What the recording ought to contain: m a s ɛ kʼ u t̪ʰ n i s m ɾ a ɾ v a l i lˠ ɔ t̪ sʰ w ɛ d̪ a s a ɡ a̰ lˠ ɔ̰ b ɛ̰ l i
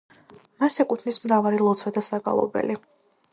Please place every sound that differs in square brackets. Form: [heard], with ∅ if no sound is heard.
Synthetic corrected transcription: m a s ɛ kʼ u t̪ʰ n i s m ɾ a [∅] v a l i lˠ ɔ t̪ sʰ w ɛ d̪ a s a ɡ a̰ lˠ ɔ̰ b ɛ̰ l i